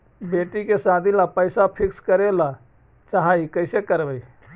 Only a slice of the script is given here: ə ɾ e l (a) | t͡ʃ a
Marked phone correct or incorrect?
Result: correct